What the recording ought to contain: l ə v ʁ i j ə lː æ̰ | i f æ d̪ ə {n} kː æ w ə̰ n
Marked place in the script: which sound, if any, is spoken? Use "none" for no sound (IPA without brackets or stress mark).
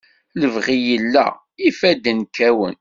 n